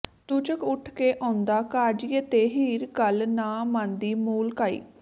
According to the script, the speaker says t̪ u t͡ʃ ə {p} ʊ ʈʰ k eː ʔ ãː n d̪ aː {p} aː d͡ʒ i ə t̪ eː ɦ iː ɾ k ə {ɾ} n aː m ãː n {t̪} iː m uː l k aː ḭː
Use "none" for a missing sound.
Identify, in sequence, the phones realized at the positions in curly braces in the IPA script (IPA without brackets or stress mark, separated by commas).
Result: k, k, l, d̪